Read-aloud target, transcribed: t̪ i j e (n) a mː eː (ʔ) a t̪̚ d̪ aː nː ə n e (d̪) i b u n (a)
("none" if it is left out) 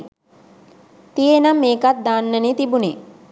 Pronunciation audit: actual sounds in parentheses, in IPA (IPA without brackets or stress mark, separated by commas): n, k, t̪, e